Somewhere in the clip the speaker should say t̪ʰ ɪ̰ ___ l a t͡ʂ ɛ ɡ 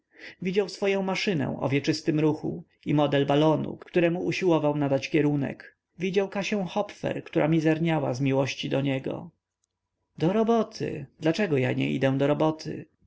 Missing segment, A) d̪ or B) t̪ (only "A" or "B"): A